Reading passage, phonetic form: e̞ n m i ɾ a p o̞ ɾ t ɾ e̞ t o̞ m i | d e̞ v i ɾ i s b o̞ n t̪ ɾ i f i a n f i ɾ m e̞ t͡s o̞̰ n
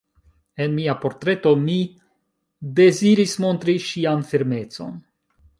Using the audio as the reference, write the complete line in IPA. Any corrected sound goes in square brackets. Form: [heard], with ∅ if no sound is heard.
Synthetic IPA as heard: e̞ n m i [∅] a p o̞ ɾ t ɾ e̞ t o̞ m i | d e̞ [z] i ɾ i s [m] o̞ n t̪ ɾ i [ʃ] i a n f i ɾ m e̞ t͡s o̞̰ n